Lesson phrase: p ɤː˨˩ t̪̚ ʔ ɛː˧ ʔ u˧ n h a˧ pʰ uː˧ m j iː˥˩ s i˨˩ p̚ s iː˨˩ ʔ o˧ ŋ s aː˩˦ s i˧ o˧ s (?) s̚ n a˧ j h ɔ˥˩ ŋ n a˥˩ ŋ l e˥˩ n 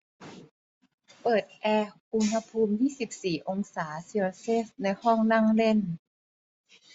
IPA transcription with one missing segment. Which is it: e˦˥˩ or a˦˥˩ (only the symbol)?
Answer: e˦˥˩